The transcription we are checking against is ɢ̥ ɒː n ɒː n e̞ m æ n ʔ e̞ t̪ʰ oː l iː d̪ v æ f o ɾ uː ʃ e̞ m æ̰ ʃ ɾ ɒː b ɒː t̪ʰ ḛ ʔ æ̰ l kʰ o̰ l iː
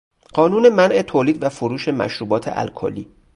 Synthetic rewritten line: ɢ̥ ɒː n uː n e̞ m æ n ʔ e̞ t̪ʰ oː l iː d̪ v æ f o ɾ uː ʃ e̞ m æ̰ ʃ ɾ uː b ɒː t̪ʰ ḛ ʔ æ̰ l kʰ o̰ l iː